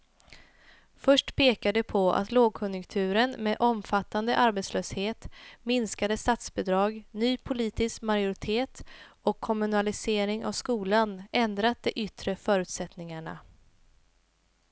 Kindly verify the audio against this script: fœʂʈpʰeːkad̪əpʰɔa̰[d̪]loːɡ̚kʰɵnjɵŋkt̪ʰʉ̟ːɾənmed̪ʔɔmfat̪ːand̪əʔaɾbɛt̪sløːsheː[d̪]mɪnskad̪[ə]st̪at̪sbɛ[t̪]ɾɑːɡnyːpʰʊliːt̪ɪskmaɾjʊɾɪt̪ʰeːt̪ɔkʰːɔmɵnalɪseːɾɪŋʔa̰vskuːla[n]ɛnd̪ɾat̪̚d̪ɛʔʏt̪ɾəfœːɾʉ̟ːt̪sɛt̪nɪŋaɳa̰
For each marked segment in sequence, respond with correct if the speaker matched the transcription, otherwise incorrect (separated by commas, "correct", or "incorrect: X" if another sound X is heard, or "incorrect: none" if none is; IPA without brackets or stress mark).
incorrect: t̪, incorrect: t̪, correct, incorrect: d̪, correct